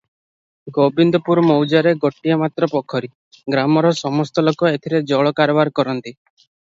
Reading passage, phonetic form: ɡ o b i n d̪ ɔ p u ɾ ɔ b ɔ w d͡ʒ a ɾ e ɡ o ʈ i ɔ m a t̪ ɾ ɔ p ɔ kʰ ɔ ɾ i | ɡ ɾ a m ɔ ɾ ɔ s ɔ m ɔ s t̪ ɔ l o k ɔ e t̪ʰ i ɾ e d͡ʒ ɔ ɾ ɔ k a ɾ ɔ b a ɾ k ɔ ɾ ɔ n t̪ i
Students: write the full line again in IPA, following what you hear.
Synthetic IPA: ɡ o b i n d̪ ɔ p u ɾ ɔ m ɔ w d͡ʒ a ɾ e ɡ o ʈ i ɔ m a t̪ ɾ ɔ p ɔ kʰ ɔ ɾ i | ɡ ɾ a m ɔ ɾ ɔ s ɔ m ɔ s t̪ ɔ l o k ɔ e t̪ʰ i ɾ e d͡ʒ ɔ ɭ ɔ k a ɾ ɔ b a ɾ k ɔ ɾ ɔ n t̪ i

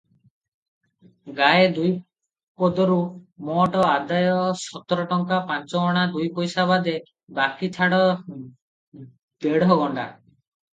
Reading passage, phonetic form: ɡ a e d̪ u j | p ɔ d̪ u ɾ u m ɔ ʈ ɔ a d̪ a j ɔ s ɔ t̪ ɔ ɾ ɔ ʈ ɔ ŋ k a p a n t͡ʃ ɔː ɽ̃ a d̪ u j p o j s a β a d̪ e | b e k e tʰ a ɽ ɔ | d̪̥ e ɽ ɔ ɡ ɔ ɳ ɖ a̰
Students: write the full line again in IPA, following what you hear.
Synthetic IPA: ɡ a e d̪ u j | p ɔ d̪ ɔ ɾ u m ɔ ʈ ɔ a d̪ a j ɔ s ɔ t̪ ɔ ɾ ɔ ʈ ɔ ŋ k a p a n t͡ʃ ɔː ɽ̃ a d̪ u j p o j s a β a d̪ e | b a k i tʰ a ɽ ɔ | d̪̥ e ɽ ɔ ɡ ɔ ɳ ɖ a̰

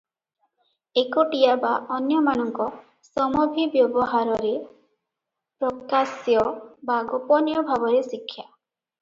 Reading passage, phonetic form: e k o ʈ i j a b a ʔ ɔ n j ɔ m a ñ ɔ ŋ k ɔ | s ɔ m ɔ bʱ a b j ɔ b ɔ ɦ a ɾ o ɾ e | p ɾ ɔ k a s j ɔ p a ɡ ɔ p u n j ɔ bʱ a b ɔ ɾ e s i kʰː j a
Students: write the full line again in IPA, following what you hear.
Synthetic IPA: e k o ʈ i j a b a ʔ ɔ n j ɔ m a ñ ɔ ŋ k ɔ | s ɔ m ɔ bʱ i b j ɔ b ɔ ɦ a ɾ ɔ ɾ e | p ɾ ɔ k a s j ɔ b a ɡ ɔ p ɔ n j ɔ bʱ a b ɔ ɾ e s i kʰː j a

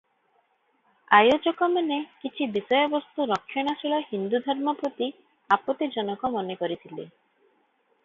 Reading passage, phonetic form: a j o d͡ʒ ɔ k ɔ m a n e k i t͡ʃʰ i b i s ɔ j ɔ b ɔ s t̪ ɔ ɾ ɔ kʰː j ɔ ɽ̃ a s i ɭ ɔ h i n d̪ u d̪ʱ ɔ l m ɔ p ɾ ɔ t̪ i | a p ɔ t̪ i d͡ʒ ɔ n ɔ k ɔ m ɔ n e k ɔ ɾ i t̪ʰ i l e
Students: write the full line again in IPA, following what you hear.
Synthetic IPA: a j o d͡ʒ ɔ k ɔ m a n e k i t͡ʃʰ i b i s ɔ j ɔ b ɔ s t̪ u ɾ ɔ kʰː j ɔ ɽ̃ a s i ɭ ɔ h i n d̪ u d̪ʱ ɔ ɾ m ɔ p ɾ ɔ t̪ i | a p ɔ t̪ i d͡ʒ ɔ n ɔ k ɔ m ɔ n e k ɔ ɾ i t̪ʰ i l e

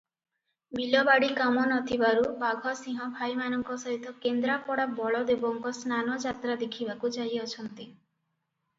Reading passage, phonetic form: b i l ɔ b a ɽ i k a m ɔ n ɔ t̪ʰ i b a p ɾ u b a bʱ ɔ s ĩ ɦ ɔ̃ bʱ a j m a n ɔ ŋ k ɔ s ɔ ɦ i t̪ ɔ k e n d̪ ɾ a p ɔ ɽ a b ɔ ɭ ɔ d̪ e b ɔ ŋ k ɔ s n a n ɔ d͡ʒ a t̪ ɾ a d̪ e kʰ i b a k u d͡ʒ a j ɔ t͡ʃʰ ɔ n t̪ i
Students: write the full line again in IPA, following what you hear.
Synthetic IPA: b i l ɔ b a ɽ i k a m ɔ n ɔ t̪ʰ i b a ɾ u b a ɡʱ ɔ s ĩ ɦ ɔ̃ bʱ a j m a n ɔ ŋ k ɔ s ɔ ɦ i t̪ ɔ k e n d̪ ɾ a p ɔ ɽ a b ɔ ɭ ɔ d̪ e b ɔ ŋ k ɔ s n a n ɔ d͡ʒ a t̪ ɾ a d̪ e kʰ i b a k u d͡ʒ a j ɔ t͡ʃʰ ɔ n t̪ i

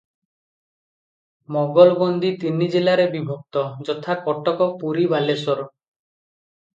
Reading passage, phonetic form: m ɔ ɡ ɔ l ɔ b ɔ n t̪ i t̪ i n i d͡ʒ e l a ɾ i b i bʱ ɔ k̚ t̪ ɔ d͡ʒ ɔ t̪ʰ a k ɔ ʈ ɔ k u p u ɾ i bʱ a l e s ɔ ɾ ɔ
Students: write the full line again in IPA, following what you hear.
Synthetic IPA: m ɔ ɡ ɔ l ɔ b ɔ n d̪ i t̪ i n i d͡ʒ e l a ɾ e b i bʱ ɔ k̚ t̪ ɔ d͡ʒ ɔ t̪ʰ a k ɔ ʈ ɔ k ɔ p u ɾ i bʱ a l e s ɔ ɾ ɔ

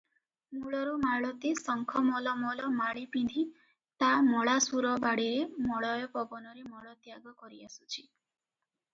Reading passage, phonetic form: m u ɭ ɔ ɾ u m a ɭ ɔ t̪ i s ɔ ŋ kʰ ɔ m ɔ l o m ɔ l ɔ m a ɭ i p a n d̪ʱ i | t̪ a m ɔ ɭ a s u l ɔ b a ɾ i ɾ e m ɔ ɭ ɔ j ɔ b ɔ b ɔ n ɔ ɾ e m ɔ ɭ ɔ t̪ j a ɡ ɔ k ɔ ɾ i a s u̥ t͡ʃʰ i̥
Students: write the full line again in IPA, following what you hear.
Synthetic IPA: m u ɭ ɔ ɾ u m a ɭ ɔ t̪ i s ɔ ŋ kʰ ɔ m ɔ l ɔ m ɔ l ɔ m a ɭ i p i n d̪ʱ i | t̪ a m ɔ ɭ a s u ɾ ɔ b a ɽ i ɾ e m ɔ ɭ ɔ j ɔ p ɔ b ɔ n ɔ ɾ e m ɔ ɭ ɔ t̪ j a ɡ ɔ k ɔ ɾ i a s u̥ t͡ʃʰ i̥

